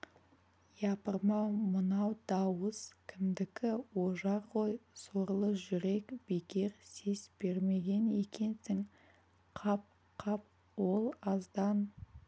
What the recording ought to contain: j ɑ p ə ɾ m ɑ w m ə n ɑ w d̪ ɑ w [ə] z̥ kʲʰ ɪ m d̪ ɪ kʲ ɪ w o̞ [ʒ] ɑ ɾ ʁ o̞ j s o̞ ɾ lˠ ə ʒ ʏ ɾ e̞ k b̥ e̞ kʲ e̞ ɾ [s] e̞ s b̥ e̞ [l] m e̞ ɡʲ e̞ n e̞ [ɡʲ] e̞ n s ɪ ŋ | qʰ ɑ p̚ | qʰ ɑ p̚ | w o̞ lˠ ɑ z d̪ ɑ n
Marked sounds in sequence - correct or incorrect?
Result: correct, correct, correct, incorrect: ɾ, incorrect: kʲ

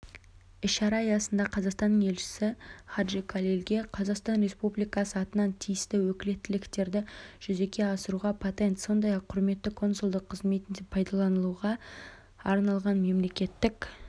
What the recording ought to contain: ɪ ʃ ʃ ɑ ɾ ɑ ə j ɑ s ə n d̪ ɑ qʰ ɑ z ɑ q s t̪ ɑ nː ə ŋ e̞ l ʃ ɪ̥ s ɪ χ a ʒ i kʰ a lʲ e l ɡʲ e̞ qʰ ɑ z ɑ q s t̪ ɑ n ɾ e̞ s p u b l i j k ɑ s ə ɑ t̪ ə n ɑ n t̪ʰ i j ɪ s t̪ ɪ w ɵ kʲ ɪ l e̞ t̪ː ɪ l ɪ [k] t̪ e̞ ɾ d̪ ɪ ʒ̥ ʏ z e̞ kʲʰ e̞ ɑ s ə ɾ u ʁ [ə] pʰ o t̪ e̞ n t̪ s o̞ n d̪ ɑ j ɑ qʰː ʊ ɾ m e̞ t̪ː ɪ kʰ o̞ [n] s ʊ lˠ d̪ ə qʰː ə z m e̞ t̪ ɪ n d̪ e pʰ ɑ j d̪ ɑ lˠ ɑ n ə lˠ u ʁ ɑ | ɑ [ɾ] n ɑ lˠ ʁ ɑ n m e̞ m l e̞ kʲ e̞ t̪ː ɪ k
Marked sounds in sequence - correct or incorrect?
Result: correct, incorrect: ɑ, correct, correct

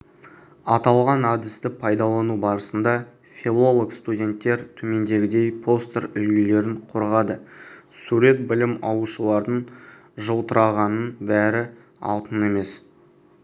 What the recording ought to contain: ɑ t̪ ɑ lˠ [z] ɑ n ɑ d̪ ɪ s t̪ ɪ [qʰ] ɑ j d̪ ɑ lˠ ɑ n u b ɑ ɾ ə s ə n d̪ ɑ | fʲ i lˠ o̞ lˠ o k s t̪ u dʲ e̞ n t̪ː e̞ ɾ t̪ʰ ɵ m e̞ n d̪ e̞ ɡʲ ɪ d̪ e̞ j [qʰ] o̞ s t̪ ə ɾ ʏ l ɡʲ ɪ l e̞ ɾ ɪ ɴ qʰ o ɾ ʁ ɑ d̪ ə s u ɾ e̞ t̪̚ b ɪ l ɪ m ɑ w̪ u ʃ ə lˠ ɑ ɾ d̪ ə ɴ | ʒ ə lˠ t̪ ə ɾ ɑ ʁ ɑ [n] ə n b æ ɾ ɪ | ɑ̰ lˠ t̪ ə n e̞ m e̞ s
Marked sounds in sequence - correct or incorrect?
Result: incorrect: ʁ, incorrect: pʰ, incorrect: pʰ, correct

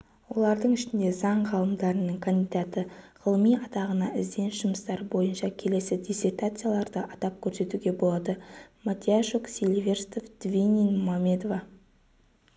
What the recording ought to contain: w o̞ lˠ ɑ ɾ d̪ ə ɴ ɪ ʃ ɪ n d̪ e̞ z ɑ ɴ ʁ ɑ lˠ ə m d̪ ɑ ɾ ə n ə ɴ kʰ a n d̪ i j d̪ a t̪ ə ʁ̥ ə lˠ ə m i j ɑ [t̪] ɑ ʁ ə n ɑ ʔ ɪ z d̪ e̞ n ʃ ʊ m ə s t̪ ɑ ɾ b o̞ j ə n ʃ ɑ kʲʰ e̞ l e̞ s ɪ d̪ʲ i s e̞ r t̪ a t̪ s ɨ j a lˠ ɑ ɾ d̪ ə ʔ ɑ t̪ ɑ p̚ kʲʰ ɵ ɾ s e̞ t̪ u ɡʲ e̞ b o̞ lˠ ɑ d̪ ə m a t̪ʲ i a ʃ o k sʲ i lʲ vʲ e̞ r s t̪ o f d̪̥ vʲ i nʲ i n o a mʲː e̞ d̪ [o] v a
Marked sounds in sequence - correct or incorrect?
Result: correct, correct

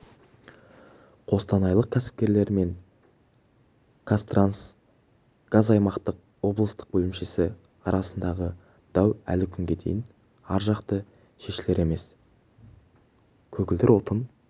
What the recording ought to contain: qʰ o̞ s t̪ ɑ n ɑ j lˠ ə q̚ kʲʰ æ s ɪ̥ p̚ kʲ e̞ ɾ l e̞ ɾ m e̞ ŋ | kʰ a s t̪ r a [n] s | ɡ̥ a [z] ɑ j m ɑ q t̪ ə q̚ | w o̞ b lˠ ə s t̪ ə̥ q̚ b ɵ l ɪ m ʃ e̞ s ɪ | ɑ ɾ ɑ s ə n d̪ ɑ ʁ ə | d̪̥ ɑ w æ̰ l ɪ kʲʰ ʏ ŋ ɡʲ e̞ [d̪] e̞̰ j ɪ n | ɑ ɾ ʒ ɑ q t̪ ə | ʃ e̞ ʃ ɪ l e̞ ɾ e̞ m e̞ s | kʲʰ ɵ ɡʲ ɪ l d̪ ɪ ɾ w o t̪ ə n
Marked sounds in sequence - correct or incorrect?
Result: correct, correct, correct

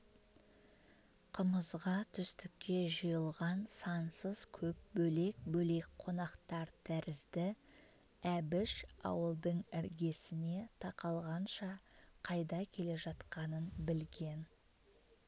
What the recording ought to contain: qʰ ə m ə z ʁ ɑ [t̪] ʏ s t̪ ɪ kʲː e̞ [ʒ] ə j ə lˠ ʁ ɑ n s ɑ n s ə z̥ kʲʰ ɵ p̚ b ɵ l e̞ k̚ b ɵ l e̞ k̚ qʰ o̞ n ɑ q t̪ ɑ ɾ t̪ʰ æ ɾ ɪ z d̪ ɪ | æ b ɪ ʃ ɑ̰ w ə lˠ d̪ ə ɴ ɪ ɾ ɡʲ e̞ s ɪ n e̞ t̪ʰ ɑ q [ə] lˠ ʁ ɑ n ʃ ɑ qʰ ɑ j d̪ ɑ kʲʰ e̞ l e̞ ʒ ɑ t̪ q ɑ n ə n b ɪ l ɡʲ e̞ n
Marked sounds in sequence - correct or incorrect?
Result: incorrect: t̪ʰ, correct, incorrect: ɑ

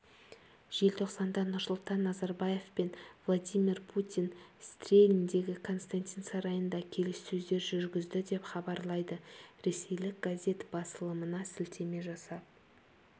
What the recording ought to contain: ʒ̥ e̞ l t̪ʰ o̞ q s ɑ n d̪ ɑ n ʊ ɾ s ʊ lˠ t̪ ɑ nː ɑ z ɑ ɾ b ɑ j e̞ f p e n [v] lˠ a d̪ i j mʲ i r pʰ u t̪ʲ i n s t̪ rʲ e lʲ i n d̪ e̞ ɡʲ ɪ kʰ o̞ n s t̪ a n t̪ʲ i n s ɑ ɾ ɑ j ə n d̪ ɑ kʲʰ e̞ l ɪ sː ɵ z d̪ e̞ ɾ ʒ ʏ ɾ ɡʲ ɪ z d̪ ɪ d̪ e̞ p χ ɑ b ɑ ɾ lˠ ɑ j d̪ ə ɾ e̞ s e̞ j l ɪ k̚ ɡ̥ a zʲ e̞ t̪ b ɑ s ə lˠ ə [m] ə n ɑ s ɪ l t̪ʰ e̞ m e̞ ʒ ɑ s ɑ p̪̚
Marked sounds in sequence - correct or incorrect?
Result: correct, correct

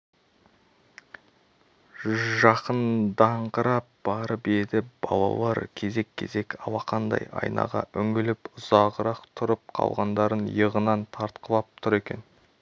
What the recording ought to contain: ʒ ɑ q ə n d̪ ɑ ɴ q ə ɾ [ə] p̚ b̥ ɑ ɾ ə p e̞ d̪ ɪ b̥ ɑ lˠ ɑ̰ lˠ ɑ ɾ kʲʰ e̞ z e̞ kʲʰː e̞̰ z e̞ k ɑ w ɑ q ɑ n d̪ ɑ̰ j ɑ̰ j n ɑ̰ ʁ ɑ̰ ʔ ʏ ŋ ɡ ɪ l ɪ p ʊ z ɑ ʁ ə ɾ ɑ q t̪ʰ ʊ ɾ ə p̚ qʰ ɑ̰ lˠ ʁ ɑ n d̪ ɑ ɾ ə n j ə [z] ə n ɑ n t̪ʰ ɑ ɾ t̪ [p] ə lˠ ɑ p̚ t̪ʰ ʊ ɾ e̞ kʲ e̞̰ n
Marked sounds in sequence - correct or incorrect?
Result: incorrect: ɑ, incorrect: ʁ, incorrect: q

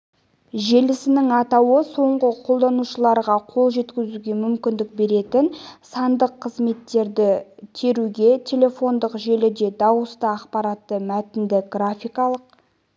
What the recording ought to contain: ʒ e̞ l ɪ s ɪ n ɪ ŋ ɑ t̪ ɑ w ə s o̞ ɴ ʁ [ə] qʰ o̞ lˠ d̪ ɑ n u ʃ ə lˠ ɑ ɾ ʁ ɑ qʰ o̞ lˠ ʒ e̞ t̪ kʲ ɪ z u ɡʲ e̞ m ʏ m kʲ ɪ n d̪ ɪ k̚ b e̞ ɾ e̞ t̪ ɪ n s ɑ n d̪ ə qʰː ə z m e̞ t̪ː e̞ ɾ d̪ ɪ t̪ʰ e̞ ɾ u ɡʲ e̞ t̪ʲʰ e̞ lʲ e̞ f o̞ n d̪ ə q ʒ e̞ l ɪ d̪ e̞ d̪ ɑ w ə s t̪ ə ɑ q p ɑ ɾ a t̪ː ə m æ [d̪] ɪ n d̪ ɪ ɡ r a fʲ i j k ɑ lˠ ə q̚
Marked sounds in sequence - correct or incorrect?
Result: correct, incorrect: t̪

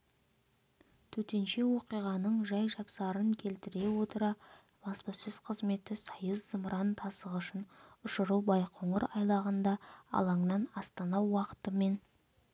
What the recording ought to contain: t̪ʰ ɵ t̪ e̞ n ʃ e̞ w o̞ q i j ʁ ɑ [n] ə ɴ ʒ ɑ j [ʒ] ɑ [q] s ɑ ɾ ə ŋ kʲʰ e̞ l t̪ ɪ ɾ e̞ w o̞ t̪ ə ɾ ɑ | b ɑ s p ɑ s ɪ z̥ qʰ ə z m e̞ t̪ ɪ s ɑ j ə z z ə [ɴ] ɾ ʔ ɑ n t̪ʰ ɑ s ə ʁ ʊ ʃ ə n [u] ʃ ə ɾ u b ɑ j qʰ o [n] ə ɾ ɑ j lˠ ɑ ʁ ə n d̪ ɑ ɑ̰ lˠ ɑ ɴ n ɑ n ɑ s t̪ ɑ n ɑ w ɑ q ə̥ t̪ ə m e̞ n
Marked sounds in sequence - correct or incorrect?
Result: correct, correct, incorrect: p, incorrect: m, incorrect: ʊ, incorrect: ɴ

